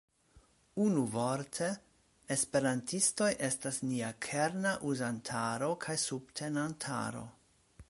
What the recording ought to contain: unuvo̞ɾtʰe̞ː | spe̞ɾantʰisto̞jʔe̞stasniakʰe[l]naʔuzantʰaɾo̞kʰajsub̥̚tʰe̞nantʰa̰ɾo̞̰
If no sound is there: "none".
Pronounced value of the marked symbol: ɾ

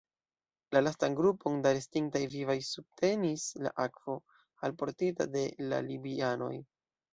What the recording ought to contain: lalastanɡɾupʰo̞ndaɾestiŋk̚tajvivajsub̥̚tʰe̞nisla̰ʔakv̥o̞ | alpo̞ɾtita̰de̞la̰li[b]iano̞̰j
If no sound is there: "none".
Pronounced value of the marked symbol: b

